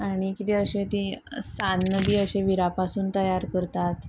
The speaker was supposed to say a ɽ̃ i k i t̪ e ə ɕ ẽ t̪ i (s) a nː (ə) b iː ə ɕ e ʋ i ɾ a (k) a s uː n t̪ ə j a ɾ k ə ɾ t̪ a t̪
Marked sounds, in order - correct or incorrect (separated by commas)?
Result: correct, correct, incorrect